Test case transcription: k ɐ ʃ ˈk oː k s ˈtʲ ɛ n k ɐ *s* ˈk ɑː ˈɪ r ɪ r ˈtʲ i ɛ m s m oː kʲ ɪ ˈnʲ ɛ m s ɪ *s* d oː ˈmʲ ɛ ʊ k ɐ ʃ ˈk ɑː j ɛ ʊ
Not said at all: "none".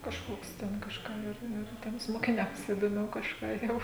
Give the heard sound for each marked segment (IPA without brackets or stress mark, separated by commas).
ʃ, none